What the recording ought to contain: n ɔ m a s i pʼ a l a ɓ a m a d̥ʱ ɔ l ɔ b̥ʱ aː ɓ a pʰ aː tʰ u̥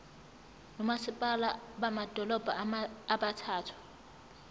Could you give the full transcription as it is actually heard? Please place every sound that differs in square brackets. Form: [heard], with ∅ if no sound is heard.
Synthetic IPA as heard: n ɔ m a s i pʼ a l a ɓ a m a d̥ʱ ɔ l ɔ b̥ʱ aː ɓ a [tʰ] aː tʰ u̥